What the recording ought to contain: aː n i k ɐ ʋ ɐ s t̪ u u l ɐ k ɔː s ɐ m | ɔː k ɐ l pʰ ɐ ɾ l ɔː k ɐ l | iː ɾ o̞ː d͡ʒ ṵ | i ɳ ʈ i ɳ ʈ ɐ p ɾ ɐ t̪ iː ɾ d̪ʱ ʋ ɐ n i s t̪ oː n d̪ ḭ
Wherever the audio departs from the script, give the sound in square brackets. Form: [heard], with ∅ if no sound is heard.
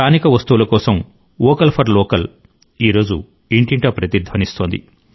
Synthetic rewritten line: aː n i k ɐ ʋ ɐ s t̪ u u l ɐ k ɔː s ɐ m | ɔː k ɐ l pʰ ɐ ɾ l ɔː k ɐ l | iː ɾ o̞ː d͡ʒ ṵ | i ɳ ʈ i ɳ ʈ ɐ p ɾ ɐ t̪ [i] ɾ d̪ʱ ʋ ɐ n i s t̪ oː n d̪ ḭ

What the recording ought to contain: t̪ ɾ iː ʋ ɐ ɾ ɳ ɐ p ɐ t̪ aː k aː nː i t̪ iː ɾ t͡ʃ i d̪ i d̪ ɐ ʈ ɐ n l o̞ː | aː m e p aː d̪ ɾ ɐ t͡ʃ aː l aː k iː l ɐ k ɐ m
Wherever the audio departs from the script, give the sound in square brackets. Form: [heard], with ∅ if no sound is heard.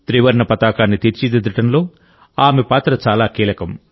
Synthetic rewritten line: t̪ ɾ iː ʋ ɐ ɾ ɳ ɐ p ɐ t̪ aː k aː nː i t̪ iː ɾ t͡ʃ i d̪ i d̪ ɐ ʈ ɐ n l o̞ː | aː m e p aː [t̪] ɾ ɐ t͡ʃ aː l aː k iː l ɐ k ɐ m

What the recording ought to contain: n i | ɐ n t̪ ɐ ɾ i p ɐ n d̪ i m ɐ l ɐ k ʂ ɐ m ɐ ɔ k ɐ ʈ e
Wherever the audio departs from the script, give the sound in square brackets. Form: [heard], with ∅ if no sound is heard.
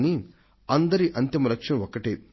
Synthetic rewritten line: n i | ɐ n [d̪] ɐ ɾ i [ʔ] ɐ n [t̪] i m ɐ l ɐ k ʂ ɐ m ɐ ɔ k ɐ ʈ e

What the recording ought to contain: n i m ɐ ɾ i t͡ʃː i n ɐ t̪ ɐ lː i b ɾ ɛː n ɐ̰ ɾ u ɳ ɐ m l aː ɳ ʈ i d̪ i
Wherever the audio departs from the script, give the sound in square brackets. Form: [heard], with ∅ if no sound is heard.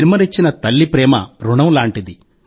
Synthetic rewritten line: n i m ɐ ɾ i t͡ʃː i n ɐ t̪ ɐ lː i [p] ɾ ɛː [m] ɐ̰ ɾ u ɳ ɐ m l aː ɳ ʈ i d̪ i

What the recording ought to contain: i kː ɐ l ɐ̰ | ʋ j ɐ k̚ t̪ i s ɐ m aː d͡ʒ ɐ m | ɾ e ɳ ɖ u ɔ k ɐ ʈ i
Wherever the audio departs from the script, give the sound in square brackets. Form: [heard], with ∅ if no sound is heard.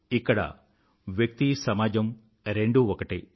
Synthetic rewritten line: i kː ɐ [ɽ] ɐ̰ | ʋ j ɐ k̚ t̪ i s ɐ m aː d͡ʒ ɐ m | ɾ e ɳ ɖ u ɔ k ɐ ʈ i

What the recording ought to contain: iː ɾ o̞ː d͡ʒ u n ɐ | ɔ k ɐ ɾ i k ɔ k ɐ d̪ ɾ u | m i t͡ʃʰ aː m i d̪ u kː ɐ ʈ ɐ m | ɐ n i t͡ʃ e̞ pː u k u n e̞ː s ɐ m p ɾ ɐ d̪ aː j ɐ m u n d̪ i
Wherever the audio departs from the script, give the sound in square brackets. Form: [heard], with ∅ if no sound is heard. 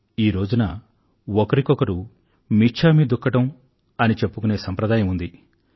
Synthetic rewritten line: iː ɾ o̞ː d͡ʒ u n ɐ | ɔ k ɐ ɾ i k ɔ k ɐ [∅] ɾ u | m i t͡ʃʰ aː m i d̪ u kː ɐ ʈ ɐ m | ɐ n i t͡ʃ e̞ pː u k u n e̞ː s ɐ m p ɾ ɐ d̪ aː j ɐ m u n d̪ i

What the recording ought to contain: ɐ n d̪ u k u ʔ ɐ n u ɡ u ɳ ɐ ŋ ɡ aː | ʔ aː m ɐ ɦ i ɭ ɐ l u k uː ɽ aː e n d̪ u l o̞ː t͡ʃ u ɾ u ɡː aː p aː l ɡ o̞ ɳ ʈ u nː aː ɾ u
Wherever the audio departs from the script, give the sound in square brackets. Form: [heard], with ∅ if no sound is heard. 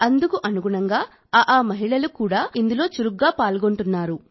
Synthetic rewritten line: ɐ n d̪ u k u ʔ ɐ n u ɡ u ɳ ɐ ŋ ɡ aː | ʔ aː m ɐ ɦ i ɭ ɐ l u k uː ɽ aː [i] n d̪ u l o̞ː t͡ʃ u ɾ u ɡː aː p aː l ɡ o̞ ɳ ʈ u nː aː ɾ u

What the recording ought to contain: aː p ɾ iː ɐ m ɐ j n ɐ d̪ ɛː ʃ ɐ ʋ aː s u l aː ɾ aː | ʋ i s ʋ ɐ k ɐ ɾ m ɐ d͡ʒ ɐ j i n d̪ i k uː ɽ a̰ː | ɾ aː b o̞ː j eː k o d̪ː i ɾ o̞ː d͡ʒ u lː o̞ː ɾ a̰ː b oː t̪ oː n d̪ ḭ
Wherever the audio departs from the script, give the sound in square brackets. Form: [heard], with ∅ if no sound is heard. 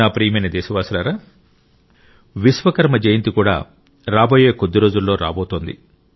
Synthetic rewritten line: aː p ɾ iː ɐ m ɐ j n ɐ d̪ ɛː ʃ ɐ ʋ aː s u l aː ɾ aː | ʋ i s ʋ ɐ k ɐ ɾ m ɐ d͡ʒ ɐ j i n [t̪] i k uː ɽ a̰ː | ɾ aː b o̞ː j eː k o d̪ː i ɾ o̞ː d͡ʒ u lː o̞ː ɾ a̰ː b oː t̪ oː n d̪ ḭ

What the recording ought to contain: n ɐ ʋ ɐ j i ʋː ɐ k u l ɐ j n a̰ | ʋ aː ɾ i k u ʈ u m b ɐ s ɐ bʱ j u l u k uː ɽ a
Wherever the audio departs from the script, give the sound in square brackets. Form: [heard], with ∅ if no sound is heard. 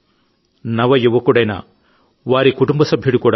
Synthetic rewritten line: n ɐ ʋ ɐ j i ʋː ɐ k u [ɽ] ɐ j n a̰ | ʋ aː ɾ i k u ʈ u m b ɐ s ɐ bʱ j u [ɽ] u k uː ɽ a

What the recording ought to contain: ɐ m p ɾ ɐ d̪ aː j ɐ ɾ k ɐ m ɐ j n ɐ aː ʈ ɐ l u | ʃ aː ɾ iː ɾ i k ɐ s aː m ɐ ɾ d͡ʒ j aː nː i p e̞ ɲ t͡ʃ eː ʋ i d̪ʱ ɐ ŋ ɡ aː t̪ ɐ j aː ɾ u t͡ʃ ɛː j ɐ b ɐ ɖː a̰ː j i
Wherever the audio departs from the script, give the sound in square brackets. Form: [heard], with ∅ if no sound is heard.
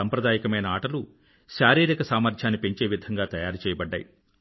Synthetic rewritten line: ɐ m p ɾ ɐ d̪ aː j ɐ [∅] k ɐ m ɐ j n ɐ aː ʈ ɐ l u | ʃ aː ɾ iː ɾ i k ɐ s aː m ɐ ɾ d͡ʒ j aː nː i p e̞ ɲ t͡ʃ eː ʋ i d̪ʱ ɐ ŋ ɡ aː t̪ ɐ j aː ɾ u t͡ʃ ɛː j ɐ b ɐ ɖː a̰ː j i

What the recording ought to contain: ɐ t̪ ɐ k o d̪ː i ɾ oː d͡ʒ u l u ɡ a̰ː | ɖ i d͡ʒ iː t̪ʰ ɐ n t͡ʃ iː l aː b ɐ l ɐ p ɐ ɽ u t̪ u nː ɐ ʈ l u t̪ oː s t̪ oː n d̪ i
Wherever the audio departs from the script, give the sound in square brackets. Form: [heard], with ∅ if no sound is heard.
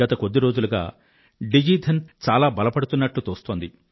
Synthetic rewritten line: ɐ t̪ ɐ k o d̪ː i ɾ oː d͡ʒ u l u ɡ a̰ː | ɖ i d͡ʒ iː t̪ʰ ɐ n t͡ʃ [aː] l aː b ɐ l ɐ p ɐ ɽ u t̪ u nː ɐ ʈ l u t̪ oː s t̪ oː n d̪ i

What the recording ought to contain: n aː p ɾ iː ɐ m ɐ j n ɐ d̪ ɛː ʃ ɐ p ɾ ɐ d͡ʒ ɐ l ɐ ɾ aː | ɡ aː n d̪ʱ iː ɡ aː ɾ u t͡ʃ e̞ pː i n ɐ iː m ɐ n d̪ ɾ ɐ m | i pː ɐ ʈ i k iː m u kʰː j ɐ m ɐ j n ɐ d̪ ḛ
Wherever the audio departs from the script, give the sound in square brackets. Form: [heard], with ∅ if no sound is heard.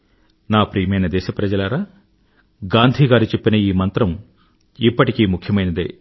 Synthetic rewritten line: n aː p ɾ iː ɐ m ɐ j n ɐ d̪ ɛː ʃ ɐ p ɾ ɐ d͡ʒ ɐ l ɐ ɾ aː | ɡ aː n d̪ʱ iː ɡ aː ɾ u t͡ʃ e̞ pː i n ɐ iː m ɐ n [t̪] ɾ ɐ m | i pː ɐ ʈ i k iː m u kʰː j ɐ m ɐ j n ɐ d̪ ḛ

